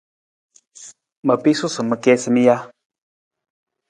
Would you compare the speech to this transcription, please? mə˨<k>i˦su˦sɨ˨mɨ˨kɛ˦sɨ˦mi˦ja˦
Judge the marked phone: incorrect: p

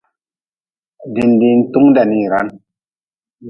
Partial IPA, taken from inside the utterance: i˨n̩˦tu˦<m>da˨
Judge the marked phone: incorrect: ŋ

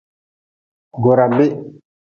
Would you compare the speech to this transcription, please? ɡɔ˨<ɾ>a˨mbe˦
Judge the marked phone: correct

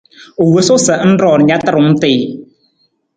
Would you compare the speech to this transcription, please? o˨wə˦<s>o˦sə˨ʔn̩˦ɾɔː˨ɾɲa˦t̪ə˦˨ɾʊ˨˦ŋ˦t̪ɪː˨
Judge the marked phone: correct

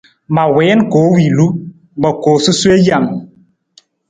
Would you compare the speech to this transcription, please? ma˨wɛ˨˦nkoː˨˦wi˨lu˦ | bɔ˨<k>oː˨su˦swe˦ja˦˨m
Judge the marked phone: correct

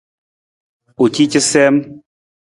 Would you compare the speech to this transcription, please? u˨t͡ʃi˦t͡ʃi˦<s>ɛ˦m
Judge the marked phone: correct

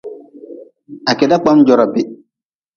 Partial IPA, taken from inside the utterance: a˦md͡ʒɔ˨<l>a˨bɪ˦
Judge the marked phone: incorrect: ɾ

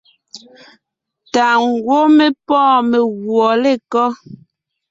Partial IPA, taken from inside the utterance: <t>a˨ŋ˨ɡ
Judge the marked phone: correct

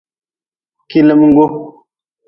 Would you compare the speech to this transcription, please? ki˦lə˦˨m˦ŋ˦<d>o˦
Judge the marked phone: incorrect: ɡ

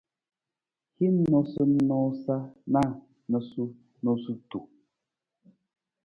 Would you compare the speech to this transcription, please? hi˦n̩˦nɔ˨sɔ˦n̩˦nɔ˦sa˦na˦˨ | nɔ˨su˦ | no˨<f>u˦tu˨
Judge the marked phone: incorrect: s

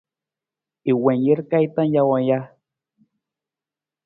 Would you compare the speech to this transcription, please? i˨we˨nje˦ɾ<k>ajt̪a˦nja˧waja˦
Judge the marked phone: correct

